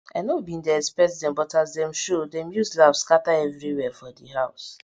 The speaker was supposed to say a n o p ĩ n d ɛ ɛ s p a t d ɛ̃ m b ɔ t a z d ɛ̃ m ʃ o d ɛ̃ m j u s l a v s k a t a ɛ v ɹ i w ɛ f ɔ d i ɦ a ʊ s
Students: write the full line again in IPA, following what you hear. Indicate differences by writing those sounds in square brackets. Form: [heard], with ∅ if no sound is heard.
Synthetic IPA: a n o [b] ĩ n d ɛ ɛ s p [ɛ] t d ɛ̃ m b ɔ t a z d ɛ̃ m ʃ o d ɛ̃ m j u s l a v s k a t a ɛ v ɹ i w ɛ f ɔ d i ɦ a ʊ s